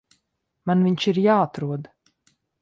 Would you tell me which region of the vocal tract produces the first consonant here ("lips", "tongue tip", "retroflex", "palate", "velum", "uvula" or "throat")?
lips